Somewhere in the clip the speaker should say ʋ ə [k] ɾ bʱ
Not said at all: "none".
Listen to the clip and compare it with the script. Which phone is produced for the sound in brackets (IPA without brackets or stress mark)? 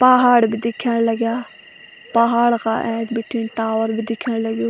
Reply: none